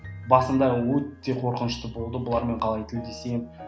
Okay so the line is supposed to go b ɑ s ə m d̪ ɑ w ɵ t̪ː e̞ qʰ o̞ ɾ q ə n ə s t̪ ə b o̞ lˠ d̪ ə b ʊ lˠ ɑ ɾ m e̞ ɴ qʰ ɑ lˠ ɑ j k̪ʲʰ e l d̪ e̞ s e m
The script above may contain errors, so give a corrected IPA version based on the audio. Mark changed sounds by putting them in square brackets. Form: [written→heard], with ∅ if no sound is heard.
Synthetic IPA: b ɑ s ə m d̪ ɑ w ɵ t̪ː e̞ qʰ o̞ ɾ q ə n ə [s→ʃ] t̪ ə b o̞ lˠ d̪ ə b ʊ lˠ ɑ ɾ m e̞ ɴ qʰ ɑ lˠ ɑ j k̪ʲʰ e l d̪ e̞ s e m